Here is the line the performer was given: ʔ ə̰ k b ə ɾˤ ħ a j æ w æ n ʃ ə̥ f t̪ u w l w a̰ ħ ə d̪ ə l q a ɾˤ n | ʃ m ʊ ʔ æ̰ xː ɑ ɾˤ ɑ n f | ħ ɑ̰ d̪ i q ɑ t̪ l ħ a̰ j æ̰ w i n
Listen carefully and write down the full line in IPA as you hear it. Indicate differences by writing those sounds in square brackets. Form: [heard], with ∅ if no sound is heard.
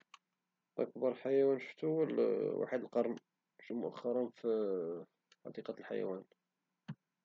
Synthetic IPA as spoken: ʔ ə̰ k b [ɑ] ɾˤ ħ a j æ w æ n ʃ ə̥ f t̪ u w l w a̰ ħ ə d̪ ə l q [ɑ] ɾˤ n | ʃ m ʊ ʔ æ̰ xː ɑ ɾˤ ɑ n f | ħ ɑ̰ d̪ i q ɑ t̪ l ħ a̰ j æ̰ w [æ] n